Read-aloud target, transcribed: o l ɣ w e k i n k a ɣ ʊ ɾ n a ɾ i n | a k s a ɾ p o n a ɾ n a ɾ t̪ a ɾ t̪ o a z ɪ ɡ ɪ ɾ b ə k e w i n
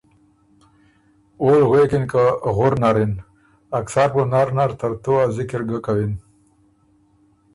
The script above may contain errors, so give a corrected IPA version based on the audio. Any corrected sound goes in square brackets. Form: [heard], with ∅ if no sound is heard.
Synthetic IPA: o l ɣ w e k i n k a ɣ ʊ ɾ n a ɾ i n | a k s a ɾ p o n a ɾ n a ɾ t̪ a ɾ t̪ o a z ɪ [k] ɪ ɾ [ɡ] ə k [a] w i n